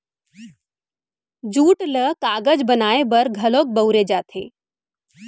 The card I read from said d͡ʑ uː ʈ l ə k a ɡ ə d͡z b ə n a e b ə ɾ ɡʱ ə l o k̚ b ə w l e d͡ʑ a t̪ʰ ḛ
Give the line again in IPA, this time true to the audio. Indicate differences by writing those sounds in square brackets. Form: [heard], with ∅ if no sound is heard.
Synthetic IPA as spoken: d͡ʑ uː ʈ l ə k a ɡ ə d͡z b ə n a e b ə ɾ ɡʱ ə l o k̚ b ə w [ɾ] e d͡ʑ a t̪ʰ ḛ

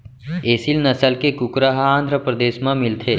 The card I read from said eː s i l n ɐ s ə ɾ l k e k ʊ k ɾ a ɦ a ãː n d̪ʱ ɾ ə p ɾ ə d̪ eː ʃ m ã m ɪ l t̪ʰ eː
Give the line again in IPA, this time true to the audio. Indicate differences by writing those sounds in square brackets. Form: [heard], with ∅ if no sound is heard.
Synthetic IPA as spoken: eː s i l n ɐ s ə [∅] l k e k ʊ k ɾ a ɦ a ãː n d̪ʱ ɾ ə p ɾ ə d̪ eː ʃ m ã m ɪ l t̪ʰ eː

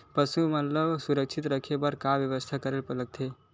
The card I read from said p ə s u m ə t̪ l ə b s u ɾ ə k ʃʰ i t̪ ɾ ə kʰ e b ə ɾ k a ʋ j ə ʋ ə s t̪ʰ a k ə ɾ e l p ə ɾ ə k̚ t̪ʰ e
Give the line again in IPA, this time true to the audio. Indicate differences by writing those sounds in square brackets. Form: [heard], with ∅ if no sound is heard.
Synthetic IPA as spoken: p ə s u m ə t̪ l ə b s u ɾ ə k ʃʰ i t̪ ɾ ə kʰ e b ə ɾ k a ʋ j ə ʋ ə s t̪ʰ a k ə ɾ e l p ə [l] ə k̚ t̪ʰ e

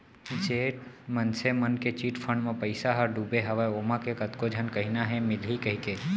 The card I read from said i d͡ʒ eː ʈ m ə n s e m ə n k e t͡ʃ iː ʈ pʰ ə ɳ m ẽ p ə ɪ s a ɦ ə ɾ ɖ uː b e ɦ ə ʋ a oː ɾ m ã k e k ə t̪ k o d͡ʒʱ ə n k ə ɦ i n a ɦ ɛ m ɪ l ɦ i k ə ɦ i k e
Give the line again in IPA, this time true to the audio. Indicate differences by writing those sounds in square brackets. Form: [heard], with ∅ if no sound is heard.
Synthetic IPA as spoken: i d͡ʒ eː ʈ m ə n s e m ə n k e t͡ʃ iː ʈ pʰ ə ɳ m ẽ p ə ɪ s a ɦ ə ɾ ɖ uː b e ɦ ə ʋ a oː [∅] m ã k e k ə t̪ k o d͡ʒʱ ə n k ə ɦ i n a ɦ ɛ m ɪ l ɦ i k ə ɦ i k e

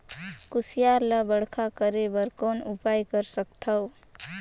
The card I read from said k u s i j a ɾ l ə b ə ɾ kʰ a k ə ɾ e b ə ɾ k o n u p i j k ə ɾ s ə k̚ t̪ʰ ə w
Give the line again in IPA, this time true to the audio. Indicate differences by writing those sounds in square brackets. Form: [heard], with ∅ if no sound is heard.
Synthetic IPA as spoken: k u s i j a ɾ l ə b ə [ɽ] kʰ a k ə ɾ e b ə ɾ k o n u p [a] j k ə ɾ s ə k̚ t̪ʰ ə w

